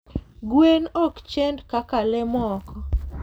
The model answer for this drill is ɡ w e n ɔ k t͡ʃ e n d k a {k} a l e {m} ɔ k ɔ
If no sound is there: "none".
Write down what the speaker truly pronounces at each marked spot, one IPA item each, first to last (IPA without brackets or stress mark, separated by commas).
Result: k, m